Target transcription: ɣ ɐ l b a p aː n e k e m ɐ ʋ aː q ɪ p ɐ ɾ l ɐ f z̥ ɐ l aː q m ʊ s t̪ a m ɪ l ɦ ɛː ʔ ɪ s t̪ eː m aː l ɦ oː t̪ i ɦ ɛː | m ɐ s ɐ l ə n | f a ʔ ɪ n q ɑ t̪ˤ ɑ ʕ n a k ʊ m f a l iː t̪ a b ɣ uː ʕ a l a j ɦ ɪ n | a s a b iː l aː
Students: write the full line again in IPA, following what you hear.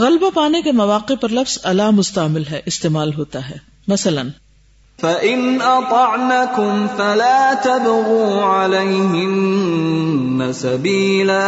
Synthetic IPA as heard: ɣ ɐ l b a p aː n e k e m ɐ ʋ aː q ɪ p ɐ ɾ l ɐ f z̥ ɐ l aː m ʊ s t̪ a m ɪ l ɦ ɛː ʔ ɪ s t̪ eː m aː l ɦ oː t̪ a ɦ ɛː | m ɐ s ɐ l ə n | f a ʔ ɪ n ʔ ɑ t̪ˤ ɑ ʕ n a k ʊ m f a l aː t̪ a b ɣ uː ʕ a l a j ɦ ɪ n | a s a b iː l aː